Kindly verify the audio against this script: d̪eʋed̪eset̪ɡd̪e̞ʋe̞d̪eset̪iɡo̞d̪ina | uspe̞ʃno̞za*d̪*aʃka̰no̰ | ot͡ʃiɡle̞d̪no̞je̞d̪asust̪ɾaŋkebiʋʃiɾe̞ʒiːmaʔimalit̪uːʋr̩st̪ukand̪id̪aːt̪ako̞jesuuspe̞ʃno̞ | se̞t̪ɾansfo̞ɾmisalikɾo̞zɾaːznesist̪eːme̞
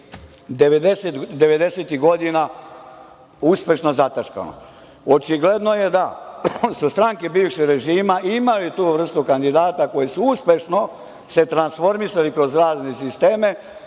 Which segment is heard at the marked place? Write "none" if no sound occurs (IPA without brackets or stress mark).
t̪